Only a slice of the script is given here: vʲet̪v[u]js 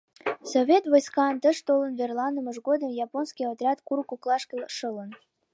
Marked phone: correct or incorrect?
incorrect